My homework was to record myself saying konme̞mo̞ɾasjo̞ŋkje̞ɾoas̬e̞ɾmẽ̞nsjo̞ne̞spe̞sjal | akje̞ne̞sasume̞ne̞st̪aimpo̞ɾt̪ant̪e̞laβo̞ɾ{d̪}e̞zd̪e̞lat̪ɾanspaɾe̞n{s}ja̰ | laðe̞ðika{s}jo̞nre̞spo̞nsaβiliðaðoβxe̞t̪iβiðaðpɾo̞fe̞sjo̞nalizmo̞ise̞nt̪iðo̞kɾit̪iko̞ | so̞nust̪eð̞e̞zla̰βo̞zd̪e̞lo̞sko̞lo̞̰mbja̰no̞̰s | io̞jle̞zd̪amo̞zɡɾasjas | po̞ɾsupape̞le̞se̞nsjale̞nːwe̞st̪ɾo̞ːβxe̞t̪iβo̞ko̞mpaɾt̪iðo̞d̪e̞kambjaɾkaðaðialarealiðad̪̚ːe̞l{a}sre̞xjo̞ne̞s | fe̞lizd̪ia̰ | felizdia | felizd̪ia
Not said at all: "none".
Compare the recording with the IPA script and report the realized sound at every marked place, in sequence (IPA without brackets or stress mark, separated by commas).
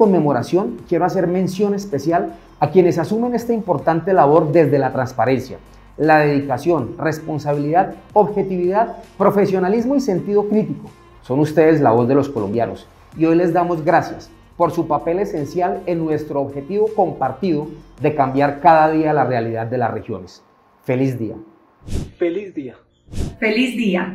d̪, s, s, a